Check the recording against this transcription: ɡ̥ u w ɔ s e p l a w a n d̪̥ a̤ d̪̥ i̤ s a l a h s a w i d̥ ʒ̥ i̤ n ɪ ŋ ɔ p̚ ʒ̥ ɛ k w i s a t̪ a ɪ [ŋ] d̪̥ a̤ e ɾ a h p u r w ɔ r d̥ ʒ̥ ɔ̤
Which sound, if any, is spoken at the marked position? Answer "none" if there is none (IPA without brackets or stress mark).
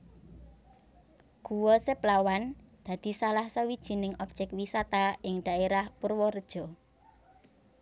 ŋ